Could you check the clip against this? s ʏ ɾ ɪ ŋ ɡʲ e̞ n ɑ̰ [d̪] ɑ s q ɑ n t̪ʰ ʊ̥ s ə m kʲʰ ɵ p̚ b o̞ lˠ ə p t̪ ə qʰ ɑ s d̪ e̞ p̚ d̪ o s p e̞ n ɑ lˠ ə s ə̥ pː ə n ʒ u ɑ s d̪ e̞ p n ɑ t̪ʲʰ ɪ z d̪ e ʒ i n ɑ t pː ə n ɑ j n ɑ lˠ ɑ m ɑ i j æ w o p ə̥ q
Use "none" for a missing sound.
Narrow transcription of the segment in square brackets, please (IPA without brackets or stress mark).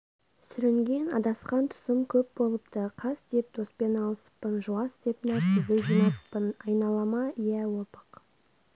d̪